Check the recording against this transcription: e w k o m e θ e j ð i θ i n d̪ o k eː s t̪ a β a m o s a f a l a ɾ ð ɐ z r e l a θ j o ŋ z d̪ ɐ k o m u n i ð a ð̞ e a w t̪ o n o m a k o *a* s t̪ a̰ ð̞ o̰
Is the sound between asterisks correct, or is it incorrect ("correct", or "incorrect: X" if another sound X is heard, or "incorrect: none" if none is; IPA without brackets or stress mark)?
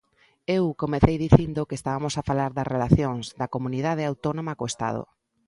incorrect: e